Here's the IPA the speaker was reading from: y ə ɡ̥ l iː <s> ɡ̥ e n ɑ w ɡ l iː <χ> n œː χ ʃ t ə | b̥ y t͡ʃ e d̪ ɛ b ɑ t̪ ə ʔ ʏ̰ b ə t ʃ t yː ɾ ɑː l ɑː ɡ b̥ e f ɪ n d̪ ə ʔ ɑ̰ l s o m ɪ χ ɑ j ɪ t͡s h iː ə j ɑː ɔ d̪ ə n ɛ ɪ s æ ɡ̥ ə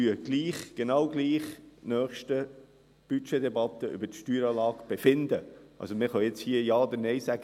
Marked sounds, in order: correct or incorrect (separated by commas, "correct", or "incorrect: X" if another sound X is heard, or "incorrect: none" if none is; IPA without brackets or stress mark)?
incorrect: χ, correct